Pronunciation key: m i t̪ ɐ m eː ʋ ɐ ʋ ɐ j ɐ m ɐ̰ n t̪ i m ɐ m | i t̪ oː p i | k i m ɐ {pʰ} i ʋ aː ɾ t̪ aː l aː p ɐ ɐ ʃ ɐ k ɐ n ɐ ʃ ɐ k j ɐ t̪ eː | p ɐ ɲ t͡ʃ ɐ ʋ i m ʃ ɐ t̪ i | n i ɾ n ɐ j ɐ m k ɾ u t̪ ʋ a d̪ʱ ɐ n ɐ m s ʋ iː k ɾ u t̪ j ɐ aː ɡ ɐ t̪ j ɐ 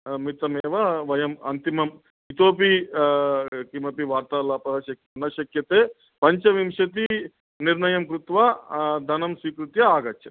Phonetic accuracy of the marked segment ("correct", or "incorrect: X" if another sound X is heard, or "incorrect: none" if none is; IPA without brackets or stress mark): incorrect: p